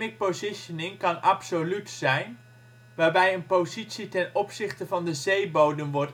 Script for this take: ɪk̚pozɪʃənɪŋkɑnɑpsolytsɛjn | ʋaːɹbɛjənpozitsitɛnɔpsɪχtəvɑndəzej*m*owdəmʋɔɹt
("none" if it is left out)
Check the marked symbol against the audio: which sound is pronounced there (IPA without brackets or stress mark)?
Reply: b